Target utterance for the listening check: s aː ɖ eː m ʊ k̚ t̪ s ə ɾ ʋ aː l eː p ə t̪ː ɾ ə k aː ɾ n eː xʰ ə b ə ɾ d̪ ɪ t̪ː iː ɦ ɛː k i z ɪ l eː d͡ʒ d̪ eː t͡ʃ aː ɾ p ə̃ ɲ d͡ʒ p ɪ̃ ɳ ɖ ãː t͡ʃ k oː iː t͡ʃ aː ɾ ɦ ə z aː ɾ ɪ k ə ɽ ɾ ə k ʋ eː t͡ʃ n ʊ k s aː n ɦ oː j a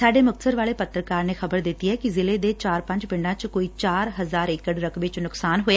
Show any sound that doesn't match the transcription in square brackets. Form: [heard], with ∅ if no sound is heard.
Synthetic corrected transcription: s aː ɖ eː m ʊ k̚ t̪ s ə ɾ ʋ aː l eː p ə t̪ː ɾ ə k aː ɾ n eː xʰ ə b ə ɾ d̪ ɪ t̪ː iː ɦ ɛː k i z ɪ l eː [∅] d̪ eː t͡ʃ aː ɾ p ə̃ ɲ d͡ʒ p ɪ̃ ɳ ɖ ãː t͡ʃ k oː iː t͡ʃ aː ɾ ɦ ə z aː ɾ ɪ k ə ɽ ɾ ə k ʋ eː t͡ʃ n ʊ k s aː n ɦ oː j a